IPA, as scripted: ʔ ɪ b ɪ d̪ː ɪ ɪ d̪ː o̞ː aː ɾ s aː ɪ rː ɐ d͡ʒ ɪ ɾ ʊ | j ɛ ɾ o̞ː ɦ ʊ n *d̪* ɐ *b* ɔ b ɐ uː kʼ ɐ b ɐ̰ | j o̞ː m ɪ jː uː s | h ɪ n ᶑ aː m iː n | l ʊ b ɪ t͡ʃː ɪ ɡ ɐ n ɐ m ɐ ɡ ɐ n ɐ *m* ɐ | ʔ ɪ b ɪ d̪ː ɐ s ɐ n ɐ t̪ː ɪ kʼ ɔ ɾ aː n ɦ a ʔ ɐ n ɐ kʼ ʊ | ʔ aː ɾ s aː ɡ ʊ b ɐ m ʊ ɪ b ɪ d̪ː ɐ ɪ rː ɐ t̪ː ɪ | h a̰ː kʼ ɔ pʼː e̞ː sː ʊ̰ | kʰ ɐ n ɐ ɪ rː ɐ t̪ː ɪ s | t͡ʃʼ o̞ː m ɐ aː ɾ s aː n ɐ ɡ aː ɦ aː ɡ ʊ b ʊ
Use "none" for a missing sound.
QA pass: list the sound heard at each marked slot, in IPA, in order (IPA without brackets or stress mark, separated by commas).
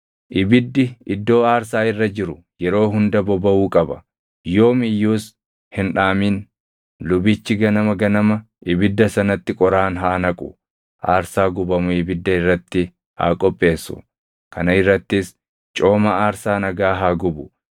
d̪, b, m